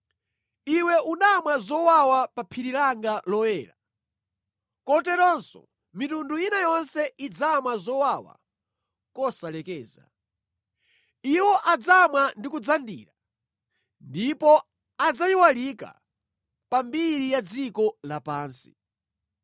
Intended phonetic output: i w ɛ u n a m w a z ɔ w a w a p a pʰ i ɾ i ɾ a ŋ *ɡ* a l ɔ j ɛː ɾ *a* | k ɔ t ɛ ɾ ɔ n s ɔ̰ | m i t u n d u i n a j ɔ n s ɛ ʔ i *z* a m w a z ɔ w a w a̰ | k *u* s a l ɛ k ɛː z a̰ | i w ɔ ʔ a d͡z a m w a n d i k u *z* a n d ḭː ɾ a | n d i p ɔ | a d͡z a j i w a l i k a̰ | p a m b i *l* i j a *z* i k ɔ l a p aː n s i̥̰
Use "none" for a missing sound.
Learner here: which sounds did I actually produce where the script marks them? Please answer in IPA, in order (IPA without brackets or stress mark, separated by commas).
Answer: ɡ, a, d͡z, ɔ, d͡z, ɾ, d͡z